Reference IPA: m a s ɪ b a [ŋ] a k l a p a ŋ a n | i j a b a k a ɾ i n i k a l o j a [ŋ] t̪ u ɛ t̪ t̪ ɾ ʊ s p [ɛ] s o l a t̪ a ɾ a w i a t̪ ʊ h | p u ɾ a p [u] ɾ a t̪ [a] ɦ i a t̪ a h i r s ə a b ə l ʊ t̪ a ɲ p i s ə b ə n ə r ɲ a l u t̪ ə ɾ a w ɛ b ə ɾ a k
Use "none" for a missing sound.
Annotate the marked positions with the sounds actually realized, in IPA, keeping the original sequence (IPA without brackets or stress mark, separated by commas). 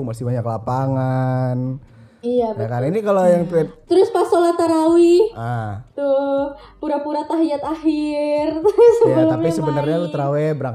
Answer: ɲ, ŋ, a, u, a